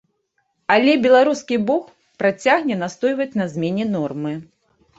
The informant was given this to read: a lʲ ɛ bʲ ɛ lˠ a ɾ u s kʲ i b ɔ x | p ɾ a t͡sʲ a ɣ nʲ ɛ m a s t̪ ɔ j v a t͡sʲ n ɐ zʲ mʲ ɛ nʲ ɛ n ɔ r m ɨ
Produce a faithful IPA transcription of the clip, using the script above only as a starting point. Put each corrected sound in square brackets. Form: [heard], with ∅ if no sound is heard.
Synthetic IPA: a lʲ ɛ bʲ ɛ lˠ a ɾ u s kʲ i b ɔ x | p ɾ a t͡sʲ a ɣ nʲ ɛ [n] a s t̪ ɔ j v [ɐ] t͡sʲ n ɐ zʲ mʲ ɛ nʲ ɛ n ɔ r m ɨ